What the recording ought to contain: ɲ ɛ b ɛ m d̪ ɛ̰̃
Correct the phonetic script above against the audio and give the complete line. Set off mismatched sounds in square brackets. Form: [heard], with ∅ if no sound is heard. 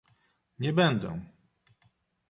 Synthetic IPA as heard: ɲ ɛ b ɛ [n] d̪ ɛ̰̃